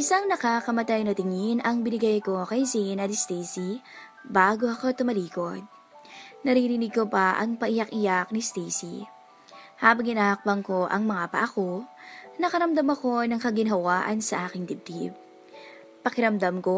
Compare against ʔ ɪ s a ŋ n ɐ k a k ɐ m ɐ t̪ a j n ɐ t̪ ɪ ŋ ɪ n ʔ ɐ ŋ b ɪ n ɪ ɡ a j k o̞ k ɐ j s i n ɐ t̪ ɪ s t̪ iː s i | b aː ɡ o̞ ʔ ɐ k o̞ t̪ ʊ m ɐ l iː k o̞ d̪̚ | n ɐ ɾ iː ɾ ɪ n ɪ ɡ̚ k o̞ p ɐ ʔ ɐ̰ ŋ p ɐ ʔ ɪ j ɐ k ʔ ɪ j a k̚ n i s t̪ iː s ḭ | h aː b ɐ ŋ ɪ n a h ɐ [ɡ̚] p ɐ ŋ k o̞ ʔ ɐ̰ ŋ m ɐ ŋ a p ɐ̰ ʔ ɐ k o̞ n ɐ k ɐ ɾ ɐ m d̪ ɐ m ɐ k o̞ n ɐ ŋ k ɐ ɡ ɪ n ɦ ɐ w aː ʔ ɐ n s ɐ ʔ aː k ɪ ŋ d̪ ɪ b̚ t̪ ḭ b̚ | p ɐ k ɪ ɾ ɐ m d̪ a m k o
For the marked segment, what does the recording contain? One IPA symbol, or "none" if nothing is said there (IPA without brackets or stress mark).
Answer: k̚